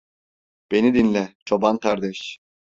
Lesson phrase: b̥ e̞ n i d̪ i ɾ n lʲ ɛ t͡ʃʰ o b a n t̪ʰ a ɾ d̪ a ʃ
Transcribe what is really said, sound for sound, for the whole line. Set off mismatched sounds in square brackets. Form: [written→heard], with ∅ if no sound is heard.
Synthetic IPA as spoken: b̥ e̞ n i d̪ i [ɾ→∅] n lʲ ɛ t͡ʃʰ o b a n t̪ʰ a ɾ d̪ [a→ɛ] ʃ